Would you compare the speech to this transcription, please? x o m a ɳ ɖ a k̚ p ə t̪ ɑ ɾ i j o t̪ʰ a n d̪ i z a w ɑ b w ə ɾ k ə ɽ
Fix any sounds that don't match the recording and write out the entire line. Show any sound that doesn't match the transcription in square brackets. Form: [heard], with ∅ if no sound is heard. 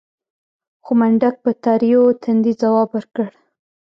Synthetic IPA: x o m a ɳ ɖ a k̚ p ə t̪ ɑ ɾ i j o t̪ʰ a n d̪ i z a w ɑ b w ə ɾ k ə ɽ